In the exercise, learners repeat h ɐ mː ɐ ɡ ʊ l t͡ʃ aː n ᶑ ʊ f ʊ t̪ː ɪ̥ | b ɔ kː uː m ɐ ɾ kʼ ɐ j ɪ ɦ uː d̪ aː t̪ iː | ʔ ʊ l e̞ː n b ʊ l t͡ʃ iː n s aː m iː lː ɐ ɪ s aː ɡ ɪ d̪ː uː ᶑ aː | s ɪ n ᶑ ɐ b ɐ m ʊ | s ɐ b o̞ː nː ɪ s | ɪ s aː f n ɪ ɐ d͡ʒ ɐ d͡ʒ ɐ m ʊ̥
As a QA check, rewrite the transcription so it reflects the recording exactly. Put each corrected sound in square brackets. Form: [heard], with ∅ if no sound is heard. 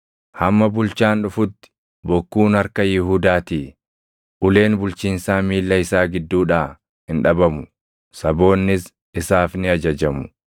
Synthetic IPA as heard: h ɐ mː ɐ [b] ʊ l t͡ʃ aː n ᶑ ʊ f ʊ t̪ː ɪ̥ | b ɔ kː uː [n] ɐ ɾ [k] ɐ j ɪ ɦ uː d̪ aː t̪ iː | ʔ ʊ l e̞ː n b ʊ l t͡ʃ iː n s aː m iː lː ɐ ɪ s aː ɡ ɪ d̪ː uː ᶑ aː | [h] ɪ n ᶑ ɐ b ɐ m ʊ | s ɐ b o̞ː nː ɪ s | ɪ s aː f n ɪ ɐ d͡ʒ ɐ d͡ʒ ɐ m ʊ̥